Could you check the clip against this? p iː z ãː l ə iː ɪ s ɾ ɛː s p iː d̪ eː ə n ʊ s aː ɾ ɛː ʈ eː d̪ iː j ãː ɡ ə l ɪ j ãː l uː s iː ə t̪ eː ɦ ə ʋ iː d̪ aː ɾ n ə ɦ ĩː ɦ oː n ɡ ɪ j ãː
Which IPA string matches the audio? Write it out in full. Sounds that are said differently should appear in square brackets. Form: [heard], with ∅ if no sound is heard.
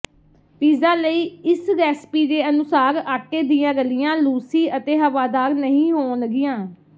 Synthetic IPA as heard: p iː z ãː l ə iː ɪ s ɾ ɛː s p iː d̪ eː ə n ʊ s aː ɾ [aː] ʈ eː d̪ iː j ãː ɡ ə l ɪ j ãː l uː s iː ə t̪ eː ɦ ə ʋ [aː] d̪ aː ɾ n ə ɦ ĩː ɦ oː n ɡ ɪ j ãː